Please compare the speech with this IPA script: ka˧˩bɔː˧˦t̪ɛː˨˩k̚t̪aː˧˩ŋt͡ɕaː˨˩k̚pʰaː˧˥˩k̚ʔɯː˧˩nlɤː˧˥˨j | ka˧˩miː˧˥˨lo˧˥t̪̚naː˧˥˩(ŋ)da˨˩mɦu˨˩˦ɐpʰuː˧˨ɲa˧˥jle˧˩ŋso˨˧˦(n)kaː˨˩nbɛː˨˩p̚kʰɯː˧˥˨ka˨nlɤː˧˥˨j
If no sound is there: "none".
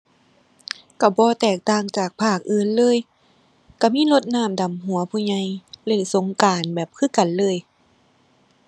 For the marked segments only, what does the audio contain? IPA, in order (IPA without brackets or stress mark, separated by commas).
m, ŋ